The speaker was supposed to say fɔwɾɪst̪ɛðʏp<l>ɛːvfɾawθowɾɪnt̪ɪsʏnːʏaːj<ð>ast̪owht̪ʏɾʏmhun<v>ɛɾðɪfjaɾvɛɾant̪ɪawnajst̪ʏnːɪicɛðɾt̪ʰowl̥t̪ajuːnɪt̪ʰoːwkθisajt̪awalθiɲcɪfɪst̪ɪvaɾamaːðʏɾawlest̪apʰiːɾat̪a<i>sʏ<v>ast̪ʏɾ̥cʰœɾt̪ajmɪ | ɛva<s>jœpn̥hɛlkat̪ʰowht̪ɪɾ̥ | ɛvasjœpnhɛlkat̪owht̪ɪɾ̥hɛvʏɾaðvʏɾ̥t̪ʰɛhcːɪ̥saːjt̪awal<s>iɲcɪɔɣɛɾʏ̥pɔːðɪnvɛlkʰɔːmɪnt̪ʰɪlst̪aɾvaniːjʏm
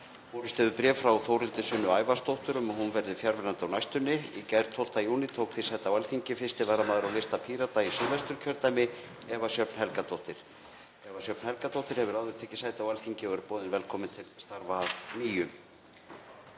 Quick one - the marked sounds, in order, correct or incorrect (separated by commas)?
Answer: incorrect, incorrect, correct, correct, correct, correct, incorrect